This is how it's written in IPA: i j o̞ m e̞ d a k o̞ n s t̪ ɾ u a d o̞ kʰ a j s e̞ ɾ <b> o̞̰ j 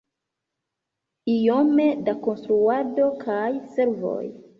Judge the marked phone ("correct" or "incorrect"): incorrect